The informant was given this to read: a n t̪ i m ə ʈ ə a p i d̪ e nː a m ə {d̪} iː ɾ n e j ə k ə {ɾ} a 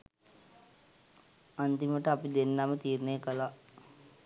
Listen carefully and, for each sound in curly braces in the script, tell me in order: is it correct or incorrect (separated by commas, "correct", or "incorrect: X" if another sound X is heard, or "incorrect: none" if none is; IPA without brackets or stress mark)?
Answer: incorrect: t̪, incorrect: l